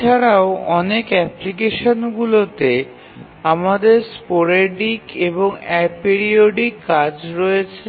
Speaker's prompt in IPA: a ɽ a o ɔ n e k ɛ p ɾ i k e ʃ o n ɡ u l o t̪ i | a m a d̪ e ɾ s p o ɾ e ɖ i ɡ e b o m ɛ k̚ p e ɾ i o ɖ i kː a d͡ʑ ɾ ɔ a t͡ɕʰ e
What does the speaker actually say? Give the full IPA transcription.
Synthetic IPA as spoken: a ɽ a o ɔ n e k ɛ p l i k e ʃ o n ɡ u l o t̪ e | a m a d̪ e ɾ s p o ɾ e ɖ i k e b o ŋ ɛ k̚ p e ɾ i o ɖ i kː a d͡ʑ ɾ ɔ e t͡ɕʰ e